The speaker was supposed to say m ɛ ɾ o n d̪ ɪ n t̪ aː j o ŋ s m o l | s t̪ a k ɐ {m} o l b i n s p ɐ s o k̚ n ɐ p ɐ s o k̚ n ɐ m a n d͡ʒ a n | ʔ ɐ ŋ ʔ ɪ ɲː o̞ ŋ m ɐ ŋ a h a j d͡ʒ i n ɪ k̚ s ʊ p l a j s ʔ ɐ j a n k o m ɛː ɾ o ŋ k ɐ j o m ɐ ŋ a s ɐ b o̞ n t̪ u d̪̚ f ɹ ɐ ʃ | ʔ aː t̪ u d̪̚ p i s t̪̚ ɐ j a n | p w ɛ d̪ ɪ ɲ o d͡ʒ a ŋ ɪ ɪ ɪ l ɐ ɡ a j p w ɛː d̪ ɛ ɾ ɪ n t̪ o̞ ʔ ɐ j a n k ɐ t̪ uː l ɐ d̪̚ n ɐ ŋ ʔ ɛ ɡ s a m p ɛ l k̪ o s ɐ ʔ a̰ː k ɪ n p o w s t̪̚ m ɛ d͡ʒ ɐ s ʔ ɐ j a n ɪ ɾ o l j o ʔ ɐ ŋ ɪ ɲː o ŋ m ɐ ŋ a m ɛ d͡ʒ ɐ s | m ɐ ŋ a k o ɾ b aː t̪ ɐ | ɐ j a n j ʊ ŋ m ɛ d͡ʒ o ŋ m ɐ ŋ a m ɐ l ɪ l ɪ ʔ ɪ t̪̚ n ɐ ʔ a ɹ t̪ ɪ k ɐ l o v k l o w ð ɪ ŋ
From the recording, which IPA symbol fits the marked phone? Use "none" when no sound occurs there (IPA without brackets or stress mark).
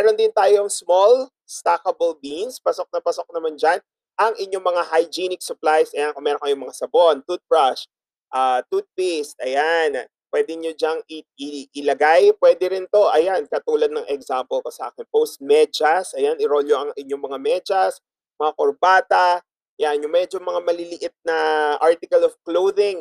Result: b